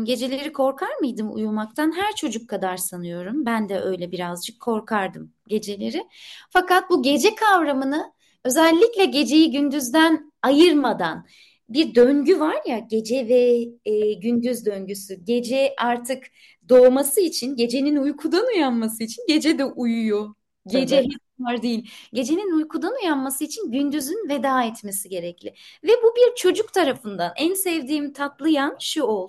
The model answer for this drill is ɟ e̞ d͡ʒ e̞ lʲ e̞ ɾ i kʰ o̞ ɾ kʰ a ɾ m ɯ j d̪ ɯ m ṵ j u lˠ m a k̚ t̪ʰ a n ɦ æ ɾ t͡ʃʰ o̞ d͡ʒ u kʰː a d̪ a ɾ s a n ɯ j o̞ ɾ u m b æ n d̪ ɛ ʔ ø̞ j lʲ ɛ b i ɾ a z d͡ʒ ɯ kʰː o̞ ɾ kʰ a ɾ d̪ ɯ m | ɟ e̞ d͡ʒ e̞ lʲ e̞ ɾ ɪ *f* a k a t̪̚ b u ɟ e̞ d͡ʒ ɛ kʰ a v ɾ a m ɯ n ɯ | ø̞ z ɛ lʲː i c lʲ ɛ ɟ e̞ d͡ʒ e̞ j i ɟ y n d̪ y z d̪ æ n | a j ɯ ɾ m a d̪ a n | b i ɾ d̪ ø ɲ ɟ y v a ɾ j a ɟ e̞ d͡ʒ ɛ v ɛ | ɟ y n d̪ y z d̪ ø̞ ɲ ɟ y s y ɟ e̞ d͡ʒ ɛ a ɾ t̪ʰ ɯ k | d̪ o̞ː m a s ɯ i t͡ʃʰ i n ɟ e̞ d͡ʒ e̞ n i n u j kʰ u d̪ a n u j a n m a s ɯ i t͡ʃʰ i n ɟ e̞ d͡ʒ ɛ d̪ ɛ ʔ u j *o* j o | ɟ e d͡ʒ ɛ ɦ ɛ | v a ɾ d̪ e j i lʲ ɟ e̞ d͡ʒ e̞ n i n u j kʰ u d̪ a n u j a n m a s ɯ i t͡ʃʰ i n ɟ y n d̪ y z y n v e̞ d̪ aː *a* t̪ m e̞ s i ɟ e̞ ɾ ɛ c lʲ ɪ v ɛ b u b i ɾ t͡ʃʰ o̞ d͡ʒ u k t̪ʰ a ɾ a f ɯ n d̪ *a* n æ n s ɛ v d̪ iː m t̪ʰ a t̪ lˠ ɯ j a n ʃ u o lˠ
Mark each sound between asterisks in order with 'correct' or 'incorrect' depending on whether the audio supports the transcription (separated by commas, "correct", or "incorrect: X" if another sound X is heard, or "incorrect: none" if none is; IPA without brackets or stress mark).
correct, incorrect: u, incorrect: ɛ, correct